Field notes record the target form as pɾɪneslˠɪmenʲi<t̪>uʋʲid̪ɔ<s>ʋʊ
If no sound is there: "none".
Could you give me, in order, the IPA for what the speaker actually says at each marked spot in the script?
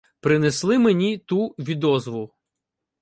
t̪, z

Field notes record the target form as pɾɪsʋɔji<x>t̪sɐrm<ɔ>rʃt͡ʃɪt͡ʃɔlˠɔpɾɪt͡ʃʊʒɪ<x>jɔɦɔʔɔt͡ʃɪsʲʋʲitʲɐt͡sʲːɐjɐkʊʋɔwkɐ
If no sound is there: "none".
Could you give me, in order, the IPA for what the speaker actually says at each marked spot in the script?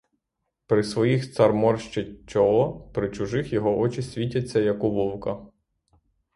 x, ɔ, x

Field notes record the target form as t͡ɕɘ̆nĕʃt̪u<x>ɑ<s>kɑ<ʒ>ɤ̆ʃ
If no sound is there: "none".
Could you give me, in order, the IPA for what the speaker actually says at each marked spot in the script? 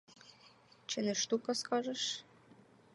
k, s, ʒ

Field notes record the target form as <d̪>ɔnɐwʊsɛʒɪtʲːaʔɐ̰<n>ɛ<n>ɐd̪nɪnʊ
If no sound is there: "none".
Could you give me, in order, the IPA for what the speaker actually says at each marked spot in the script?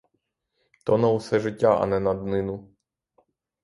t̪, n, n

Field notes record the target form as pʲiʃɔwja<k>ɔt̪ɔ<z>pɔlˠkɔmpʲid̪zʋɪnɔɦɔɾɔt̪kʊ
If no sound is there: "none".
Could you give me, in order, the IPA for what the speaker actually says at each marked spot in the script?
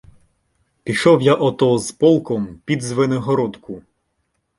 ʔ, z

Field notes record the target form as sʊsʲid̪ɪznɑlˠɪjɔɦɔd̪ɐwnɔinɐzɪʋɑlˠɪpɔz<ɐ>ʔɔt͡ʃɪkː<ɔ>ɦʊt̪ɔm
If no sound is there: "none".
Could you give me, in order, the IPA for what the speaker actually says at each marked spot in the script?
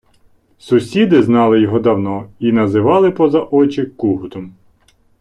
ɐ, u

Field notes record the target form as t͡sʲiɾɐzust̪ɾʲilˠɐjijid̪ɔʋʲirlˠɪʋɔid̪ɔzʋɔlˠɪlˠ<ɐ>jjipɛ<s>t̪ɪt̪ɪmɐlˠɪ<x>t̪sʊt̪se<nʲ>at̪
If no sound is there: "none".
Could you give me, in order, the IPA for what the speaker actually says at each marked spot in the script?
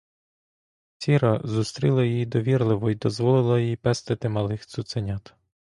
ɐ, s, x, nʲ

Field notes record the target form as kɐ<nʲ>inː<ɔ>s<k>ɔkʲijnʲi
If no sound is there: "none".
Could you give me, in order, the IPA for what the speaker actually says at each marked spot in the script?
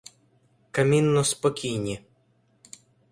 mʲ, ɔ, p

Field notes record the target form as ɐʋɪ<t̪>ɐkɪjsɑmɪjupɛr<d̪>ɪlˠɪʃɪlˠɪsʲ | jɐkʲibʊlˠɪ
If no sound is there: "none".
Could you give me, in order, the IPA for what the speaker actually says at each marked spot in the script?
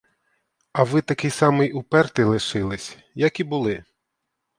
t̪, t̪

